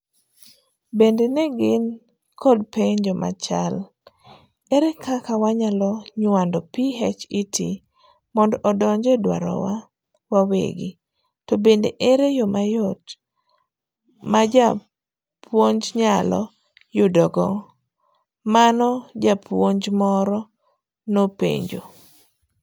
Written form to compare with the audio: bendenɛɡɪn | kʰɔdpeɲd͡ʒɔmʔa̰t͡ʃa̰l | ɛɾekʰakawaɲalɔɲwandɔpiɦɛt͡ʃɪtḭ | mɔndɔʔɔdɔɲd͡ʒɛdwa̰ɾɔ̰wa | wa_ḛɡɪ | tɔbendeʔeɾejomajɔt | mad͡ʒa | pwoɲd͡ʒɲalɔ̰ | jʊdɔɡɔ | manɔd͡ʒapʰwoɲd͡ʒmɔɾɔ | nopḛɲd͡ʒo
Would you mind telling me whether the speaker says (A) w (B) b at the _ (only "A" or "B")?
A